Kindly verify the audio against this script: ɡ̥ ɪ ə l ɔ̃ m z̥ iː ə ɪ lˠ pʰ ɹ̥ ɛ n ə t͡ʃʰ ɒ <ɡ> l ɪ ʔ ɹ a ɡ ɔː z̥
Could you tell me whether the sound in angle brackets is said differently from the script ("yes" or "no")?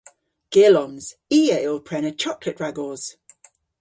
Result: yes